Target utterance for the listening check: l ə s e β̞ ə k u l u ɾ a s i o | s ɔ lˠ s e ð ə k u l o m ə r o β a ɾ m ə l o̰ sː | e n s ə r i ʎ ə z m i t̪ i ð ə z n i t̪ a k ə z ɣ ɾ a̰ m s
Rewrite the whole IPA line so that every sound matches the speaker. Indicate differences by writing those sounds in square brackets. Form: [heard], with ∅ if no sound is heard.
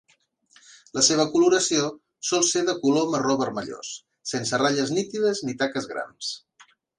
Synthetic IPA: l ə s e β̞ ə k u l u ɾ [ə] s i o | s ɔ lˠ s e ð ə k u l o m ə r o β [ə] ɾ m ə [ʎ] o̰ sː | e n s ə r [a] ʎ ə z [n] i t̪ i ð ə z n i t̪ a k ə z ɣ ɾ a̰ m s